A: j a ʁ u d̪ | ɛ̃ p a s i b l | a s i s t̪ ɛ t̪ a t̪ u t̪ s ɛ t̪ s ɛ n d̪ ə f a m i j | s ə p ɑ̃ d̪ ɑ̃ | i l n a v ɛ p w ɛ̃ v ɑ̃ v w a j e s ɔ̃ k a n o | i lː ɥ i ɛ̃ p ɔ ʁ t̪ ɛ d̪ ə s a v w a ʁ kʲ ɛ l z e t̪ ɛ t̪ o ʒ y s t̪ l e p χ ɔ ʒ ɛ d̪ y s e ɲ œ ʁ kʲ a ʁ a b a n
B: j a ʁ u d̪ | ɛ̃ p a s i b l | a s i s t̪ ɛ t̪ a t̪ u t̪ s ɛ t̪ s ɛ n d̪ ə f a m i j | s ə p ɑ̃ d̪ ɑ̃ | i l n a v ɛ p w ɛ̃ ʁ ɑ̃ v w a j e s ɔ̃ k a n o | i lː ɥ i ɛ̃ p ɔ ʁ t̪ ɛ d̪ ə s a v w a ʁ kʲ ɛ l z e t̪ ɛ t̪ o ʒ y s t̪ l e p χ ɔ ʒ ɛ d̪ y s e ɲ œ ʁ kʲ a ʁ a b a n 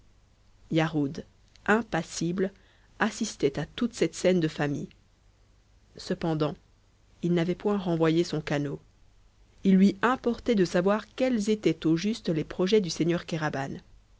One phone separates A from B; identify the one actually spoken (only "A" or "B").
B